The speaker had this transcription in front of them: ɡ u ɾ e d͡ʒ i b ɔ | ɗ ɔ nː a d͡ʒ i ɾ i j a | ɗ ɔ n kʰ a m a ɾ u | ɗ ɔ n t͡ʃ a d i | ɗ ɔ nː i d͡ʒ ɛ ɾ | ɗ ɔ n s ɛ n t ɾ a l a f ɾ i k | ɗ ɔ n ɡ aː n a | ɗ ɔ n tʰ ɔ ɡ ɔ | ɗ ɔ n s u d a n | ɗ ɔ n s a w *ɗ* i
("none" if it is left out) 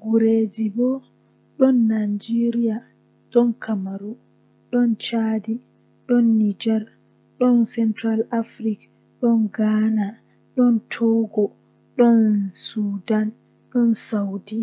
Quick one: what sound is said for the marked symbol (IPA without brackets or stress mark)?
d